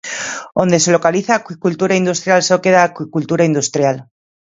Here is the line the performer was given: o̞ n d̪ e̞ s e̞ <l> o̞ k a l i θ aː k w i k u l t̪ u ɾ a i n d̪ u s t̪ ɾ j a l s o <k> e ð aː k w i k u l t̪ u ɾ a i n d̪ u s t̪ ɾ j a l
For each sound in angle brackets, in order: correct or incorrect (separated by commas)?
correct, correct